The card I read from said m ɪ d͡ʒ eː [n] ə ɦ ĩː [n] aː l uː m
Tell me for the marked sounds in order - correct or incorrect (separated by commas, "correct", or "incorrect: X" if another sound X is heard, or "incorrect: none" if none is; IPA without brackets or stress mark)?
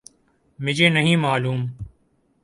correct, incorrect: m